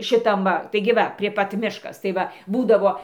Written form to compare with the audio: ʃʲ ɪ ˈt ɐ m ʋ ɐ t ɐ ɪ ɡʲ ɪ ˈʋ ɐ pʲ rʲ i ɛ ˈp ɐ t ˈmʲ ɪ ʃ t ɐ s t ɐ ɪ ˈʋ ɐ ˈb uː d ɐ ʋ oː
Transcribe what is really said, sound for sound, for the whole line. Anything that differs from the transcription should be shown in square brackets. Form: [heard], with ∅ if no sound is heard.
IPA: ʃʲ ɪ ˈt ɐ m ʋ ɐ t ɐ ɪ ɡʲ ɪ ˈʋ ɐ pʲ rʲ i ɛ ˈp ɐ t ˈmʲ ɪ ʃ [k] ɐ s t ɐ ɪ ˈʋ ɐ ˈb uː d ɐ ʋ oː